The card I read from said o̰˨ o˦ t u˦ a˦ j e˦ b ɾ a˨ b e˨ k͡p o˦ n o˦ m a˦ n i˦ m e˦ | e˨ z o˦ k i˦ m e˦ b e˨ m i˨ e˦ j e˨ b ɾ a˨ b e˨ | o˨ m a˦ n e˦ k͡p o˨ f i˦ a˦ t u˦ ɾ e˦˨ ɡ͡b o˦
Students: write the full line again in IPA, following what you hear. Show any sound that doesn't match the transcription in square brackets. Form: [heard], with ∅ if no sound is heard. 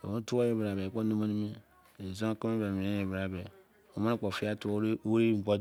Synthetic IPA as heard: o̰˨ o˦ t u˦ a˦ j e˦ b ɾ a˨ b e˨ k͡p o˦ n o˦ m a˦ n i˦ m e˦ | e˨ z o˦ k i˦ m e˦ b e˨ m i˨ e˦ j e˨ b ɾ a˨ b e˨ | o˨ m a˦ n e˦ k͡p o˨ f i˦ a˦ t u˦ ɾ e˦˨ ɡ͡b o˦

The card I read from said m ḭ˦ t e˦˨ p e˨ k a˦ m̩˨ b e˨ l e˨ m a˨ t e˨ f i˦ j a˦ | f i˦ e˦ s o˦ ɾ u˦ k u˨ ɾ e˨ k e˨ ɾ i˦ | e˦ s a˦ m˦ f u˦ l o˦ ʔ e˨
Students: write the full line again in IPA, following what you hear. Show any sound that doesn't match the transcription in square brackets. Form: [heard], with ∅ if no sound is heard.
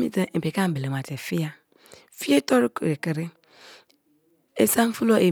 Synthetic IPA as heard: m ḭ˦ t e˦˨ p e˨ k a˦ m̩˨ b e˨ l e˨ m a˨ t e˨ f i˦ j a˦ | f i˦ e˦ [t] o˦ ɾ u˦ k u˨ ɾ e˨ k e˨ ɾ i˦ | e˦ s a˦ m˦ f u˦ l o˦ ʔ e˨

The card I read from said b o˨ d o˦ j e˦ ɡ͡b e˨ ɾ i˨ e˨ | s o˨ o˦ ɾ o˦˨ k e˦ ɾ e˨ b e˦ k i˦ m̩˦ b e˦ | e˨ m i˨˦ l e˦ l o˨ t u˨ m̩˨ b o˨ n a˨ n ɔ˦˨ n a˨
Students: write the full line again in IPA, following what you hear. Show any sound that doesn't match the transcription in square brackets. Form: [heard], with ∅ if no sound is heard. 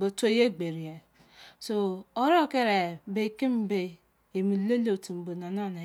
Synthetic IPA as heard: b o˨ [t] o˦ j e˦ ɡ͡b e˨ ɾ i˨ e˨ | s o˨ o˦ ɾ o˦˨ k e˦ ɾ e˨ b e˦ k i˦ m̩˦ b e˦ | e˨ m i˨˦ l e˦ l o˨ t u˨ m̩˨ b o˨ n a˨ n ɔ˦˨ n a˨

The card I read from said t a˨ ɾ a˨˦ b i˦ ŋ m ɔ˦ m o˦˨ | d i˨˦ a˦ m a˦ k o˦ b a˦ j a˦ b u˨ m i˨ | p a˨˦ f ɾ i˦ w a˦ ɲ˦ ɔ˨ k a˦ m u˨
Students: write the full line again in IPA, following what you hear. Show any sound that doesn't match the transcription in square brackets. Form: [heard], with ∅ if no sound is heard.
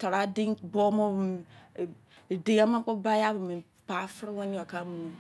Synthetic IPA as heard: t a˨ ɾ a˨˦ [d] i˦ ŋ [b] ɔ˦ m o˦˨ | d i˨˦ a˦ m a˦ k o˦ b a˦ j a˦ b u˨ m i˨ | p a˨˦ f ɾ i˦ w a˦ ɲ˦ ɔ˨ k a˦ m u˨

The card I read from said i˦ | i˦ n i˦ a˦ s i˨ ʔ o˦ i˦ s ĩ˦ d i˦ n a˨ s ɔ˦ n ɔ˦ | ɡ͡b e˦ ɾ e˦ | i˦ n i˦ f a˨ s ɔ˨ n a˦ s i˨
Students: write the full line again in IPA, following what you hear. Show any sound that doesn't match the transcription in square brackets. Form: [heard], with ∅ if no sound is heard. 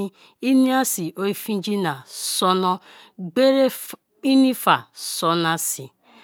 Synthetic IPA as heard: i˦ | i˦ n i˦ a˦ s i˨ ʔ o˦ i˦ [f] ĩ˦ [d͡ʒ] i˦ n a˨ s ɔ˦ n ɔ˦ | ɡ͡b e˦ ɾ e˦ | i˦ n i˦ f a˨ s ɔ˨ n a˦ s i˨

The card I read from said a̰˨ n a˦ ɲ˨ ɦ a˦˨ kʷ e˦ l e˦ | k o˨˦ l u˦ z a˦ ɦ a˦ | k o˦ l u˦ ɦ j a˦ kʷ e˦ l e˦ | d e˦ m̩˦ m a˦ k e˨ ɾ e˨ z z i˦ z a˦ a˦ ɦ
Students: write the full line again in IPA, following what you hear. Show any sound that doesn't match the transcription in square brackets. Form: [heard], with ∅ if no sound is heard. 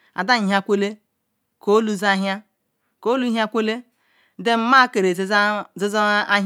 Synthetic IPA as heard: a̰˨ [d] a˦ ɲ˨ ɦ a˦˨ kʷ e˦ l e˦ | k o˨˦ l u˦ z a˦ ɦ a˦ | k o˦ l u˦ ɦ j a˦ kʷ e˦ l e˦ | d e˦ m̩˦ m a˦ k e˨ ɾ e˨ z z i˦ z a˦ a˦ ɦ

